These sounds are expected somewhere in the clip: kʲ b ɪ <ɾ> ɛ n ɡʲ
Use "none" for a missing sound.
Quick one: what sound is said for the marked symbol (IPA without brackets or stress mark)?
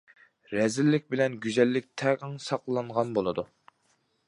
l